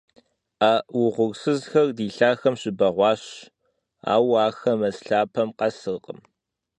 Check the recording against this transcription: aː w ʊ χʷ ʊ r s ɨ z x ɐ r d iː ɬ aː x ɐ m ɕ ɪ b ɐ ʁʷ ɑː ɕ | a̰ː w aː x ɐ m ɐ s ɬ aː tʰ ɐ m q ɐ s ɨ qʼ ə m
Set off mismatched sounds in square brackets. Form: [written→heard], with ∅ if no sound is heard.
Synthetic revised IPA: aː w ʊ [χʷ→ʁʷ] ʊ r s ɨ z x ɐ r d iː ɬ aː x ɐ m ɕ ɪ b ɐ ʁʷ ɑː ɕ | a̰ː w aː x ɐ m ɐ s ɬ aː [tʰ→pʰ] ɐ m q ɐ s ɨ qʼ ə m